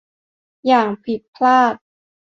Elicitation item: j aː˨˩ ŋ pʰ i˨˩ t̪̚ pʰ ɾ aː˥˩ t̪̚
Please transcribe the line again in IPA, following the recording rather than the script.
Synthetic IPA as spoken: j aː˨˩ ŋ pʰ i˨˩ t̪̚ pʰ l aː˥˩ t̪̚